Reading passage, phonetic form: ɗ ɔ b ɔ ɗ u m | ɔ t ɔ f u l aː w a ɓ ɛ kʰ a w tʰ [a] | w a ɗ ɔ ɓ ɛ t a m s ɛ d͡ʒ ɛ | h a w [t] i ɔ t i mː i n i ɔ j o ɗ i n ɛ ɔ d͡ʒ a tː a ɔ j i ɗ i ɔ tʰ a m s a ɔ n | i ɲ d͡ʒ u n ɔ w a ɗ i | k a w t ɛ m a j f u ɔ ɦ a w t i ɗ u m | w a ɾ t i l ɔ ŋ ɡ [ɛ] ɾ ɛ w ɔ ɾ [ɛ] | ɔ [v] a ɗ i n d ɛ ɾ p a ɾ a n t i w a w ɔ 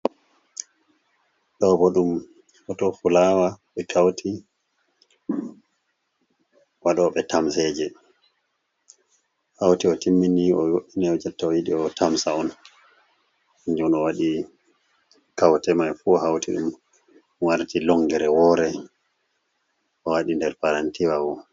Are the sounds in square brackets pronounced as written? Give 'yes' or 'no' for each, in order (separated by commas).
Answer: no, yes, yes, yes, no